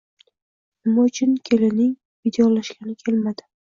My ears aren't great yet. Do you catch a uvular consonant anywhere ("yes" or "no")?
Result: no